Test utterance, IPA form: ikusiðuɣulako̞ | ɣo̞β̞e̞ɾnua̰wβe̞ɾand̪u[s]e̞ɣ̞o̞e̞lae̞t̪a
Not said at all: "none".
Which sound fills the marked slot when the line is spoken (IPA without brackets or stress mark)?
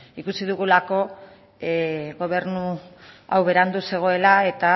s